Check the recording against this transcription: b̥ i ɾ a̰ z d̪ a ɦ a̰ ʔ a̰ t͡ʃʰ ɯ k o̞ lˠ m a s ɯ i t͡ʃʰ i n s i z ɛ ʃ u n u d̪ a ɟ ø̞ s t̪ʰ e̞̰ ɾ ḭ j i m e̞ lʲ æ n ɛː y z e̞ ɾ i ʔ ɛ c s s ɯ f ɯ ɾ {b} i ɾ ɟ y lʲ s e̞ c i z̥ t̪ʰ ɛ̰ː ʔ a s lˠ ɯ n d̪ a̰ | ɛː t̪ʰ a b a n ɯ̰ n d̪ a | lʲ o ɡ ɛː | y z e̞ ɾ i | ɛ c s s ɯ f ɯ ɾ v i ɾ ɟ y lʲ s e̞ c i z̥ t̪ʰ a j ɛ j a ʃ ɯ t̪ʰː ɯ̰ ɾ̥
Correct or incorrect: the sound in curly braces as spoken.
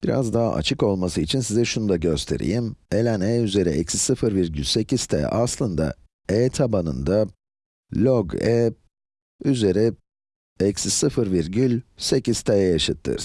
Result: incorrect: v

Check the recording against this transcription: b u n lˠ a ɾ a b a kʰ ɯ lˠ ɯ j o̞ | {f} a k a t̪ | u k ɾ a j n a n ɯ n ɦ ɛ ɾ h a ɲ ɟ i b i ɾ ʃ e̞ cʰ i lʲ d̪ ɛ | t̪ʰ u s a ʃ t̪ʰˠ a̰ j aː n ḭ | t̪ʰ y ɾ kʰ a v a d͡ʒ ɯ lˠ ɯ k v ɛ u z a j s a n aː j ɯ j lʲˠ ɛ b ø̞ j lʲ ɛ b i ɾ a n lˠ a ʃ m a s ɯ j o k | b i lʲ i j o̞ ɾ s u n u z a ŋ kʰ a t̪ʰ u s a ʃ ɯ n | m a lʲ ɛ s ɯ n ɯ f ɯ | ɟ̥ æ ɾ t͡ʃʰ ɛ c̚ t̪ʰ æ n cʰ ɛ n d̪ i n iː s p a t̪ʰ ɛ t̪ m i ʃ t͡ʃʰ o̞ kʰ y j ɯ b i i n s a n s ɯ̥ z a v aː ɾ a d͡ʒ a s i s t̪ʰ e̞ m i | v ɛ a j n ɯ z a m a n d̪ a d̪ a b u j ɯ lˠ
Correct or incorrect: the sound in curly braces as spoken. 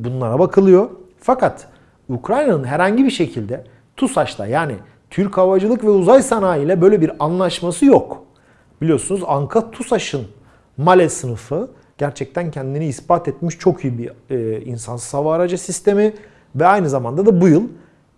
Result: correct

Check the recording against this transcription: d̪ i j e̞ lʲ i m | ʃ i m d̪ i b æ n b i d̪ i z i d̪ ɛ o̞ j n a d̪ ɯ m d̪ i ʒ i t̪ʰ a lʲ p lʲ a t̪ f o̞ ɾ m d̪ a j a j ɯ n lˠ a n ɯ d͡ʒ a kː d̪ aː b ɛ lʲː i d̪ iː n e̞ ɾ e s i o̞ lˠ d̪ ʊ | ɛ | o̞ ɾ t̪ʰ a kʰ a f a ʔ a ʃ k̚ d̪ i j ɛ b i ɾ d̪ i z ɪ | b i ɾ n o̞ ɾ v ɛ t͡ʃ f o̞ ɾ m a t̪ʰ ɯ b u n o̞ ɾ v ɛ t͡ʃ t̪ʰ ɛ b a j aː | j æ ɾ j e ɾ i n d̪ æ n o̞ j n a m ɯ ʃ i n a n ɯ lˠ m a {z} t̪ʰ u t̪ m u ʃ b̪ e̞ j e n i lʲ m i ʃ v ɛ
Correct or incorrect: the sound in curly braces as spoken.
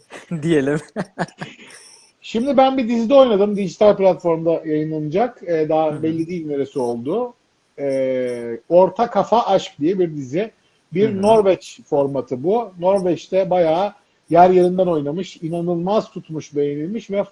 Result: correct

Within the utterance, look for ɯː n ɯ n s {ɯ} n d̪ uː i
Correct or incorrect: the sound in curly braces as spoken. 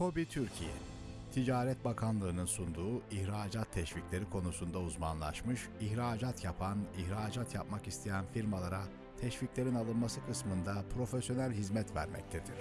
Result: incorrect: u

